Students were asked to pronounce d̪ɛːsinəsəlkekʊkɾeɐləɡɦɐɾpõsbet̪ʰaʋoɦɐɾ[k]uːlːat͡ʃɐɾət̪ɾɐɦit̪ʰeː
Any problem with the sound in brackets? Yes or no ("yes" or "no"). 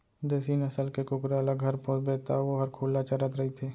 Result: yes